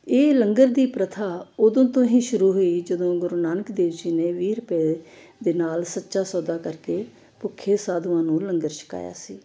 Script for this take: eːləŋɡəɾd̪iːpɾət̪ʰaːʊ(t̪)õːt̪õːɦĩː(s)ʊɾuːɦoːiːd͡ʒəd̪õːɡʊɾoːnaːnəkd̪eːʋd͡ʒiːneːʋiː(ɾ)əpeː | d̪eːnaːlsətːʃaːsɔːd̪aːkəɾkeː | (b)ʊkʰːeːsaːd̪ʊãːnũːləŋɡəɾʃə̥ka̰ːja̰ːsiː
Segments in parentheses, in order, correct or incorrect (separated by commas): incorrect, incorrect, correct, incorrect